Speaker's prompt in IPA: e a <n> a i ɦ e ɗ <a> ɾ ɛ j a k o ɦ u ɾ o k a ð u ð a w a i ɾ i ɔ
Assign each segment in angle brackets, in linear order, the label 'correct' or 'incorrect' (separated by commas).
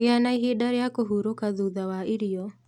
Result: correct, correct